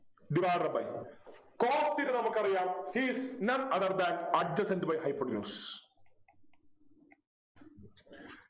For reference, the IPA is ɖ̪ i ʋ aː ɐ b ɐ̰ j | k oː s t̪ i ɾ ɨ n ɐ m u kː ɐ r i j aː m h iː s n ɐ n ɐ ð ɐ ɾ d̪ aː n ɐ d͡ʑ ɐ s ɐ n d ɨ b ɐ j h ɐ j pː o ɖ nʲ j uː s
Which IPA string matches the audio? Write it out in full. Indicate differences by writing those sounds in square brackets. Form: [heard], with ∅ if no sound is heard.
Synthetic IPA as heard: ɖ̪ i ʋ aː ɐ b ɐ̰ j | k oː s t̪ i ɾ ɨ n ɐ m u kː ɐ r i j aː m h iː s n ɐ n ɐ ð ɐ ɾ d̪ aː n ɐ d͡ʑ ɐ s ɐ n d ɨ b ɐ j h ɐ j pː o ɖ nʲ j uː s